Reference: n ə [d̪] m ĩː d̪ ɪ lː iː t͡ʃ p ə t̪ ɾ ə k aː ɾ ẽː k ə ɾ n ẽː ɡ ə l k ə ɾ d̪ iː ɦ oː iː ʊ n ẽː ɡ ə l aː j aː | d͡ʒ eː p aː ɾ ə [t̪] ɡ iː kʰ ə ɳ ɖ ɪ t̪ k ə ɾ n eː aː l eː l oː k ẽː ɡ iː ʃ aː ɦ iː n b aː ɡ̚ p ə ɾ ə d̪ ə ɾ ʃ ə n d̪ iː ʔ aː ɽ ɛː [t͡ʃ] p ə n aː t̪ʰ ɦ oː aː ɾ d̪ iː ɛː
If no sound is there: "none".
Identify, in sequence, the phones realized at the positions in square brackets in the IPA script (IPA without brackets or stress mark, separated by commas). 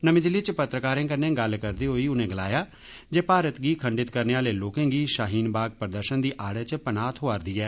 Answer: none, t̪, t͡ʃ